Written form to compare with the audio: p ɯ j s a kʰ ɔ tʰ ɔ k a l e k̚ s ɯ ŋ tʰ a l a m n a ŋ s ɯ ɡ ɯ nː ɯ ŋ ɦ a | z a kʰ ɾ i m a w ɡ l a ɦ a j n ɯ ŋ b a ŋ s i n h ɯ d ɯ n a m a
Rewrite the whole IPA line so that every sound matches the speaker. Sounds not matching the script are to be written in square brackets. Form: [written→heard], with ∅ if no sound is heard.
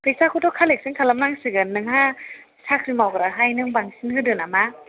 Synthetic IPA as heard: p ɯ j s a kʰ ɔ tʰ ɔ [k→kʰ] a l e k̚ s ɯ ŋ [tʰ→kʰ] a l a m n a ŋ s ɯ ɡ ɯ nː ɯ ŋ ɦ a | [z→s] a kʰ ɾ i m a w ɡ [l→ɾ] a ɦ a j n ɯ ŋ b a ŋ s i n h ɯ d ɯ n a m a